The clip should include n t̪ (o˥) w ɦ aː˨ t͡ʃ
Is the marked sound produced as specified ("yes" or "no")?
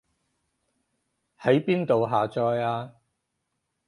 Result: no